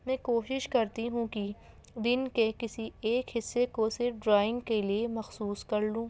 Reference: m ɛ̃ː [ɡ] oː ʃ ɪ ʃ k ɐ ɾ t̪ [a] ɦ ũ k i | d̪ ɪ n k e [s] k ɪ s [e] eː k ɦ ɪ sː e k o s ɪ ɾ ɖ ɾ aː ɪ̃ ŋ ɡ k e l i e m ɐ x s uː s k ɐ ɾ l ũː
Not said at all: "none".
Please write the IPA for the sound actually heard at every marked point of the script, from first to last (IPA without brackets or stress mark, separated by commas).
k, i, none, i